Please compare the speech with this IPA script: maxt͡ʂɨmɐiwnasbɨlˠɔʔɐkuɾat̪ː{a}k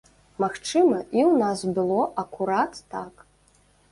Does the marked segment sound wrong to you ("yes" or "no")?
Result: no